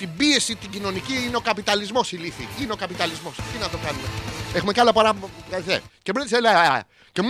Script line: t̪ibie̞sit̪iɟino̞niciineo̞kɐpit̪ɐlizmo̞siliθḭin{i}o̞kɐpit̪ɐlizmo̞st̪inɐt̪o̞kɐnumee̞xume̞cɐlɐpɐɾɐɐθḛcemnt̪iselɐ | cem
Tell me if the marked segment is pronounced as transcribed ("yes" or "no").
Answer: no